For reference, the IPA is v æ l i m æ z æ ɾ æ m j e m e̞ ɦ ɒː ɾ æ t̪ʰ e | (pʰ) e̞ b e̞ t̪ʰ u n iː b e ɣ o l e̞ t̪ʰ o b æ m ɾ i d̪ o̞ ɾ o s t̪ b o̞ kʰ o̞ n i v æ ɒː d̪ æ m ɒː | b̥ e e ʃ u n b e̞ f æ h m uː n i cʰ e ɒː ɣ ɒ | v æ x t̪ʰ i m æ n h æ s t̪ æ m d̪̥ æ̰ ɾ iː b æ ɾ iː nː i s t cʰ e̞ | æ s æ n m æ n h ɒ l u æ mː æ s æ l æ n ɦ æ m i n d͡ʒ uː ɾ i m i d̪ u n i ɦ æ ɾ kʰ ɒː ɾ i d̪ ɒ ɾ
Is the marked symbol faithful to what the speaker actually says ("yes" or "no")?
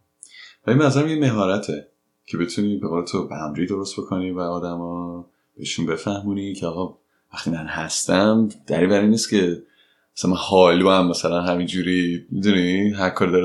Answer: no